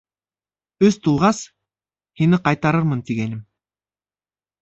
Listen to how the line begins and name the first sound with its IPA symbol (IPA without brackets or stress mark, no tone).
ɵ